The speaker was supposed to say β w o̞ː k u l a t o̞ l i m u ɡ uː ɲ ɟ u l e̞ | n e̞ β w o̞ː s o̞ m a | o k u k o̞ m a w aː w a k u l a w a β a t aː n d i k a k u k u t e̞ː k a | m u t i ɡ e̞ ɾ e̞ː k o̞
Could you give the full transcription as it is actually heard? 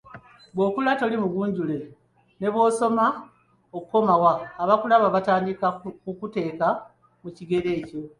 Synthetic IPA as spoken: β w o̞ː k u l a t o̞ l i m u ɡ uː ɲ ɟ u l e̞ | n e̞ β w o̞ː s o̞ m a | o k u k o̞ m a w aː β a k u l a β a β a t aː n d i k a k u k u t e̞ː k a | m u c i ɡ e̞ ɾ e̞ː c o̞